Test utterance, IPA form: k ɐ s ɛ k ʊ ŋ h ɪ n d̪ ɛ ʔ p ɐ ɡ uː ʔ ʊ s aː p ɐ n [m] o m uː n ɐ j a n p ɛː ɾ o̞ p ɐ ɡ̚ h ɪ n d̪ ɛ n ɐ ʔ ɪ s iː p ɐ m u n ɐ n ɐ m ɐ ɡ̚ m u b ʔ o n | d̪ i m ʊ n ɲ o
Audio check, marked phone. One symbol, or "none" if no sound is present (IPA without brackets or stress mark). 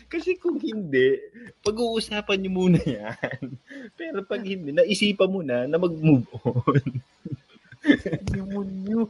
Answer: ɲ